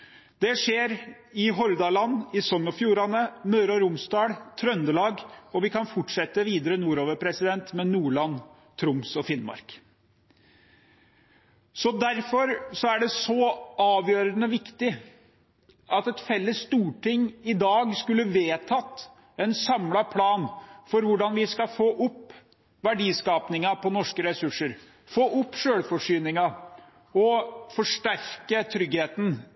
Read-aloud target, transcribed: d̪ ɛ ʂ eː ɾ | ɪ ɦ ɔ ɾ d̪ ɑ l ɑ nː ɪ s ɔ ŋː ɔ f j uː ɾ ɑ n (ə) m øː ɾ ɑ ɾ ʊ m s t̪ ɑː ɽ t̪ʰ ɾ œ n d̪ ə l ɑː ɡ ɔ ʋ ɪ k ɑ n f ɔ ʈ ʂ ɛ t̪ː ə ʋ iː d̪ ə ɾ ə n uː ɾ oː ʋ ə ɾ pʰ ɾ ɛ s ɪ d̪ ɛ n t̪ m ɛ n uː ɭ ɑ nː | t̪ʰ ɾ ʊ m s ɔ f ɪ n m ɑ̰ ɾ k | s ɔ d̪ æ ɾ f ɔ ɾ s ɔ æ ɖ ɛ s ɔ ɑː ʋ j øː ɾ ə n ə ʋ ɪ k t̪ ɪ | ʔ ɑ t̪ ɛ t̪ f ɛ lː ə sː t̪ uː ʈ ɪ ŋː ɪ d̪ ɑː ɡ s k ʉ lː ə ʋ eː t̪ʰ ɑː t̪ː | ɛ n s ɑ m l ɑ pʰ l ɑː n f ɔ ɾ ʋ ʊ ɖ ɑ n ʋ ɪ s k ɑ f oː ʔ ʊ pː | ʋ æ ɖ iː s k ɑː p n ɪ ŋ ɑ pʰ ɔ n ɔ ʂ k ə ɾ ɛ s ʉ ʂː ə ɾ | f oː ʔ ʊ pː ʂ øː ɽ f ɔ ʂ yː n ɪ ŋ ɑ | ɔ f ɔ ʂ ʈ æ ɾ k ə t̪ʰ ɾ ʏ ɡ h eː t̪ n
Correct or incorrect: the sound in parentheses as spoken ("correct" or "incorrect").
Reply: correct